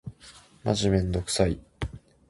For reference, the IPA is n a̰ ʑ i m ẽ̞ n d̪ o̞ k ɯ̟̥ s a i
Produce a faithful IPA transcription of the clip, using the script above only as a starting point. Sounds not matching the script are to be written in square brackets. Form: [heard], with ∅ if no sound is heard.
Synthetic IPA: [m] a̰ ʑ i m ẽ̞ n d̪ o̞ k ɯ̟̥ s a i